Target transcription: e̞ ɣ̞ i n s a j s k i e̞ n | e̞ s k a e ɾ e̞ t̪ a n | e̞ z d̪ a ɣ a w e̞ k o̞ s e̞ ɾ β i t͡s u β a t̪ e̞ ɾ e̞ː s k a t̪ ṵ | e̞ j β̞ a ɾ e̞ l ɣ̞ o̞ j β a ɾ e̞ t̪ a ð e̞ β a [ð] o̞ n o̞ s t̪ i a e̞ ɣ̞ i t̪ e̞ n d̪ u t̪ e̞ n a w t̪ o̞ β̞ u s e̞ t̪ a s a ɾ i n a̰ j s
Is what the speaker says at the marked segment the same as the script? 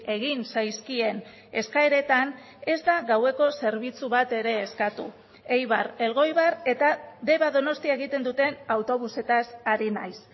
yes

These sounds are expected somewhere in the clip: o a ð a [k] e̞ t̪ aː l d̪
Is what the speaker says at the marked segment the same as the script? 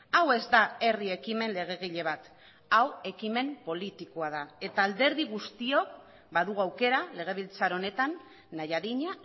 no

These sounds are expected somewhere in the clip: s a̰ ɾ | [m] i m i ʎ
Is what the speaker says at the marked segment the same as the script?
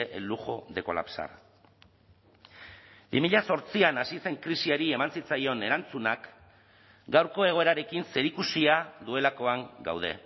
no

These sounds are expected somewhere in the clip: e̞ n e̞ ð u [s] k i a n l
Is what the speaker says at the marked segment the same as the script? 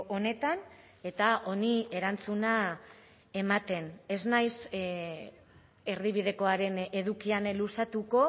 no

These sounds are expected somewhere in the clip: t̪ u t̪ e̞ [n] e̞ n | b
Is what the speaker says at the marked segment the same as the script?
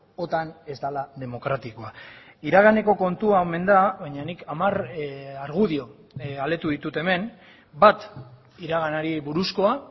no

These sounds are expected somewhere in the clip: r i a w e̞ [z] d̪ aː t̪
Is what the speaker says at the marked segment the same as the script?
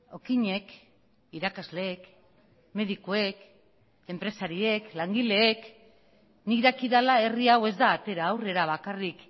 yes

